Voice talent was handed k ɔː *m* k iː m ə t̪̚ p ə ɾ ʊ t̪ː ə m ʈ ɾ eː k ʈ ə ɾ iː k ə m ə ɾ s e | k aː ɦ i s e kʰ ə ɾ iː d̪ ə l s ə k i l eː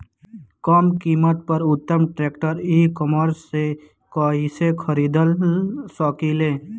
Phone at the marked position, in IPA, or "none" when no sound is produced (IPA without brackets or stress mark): m